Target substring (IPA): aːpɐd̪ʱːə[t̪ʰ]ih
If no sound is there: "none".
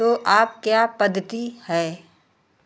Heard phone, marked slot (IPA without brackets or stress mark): t̪